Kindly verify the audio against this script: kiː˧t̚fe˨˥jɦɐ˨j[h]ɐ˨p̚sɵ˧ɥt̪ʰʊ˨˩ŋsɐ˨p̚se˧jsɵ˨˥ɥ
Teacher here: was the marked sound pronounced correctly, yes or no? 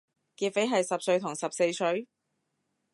no